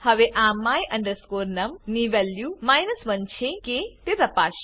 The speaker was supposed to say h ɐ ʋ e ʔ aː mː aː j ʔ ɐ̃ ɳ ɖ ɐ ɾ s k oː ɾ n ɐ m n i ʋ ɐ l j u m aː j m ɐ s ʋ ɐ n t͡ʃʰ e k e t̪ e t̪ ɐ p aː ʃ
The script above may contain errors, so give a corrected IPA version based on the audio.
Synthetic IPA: h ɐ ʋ e ʔ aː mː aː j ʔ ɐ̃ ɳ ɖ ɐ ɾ s k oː ɾ n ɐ m n i ʋ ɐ l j u m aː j n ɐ s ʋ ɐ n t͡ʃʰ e k e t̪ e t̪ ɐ p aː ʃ